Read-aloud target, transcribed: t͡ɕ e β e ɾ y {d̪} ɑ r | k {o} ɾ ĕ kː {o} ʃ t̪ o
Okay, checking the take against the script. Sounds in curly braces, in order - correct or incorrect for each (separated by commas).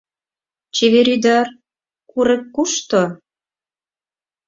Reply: correct, incorrect, incorrect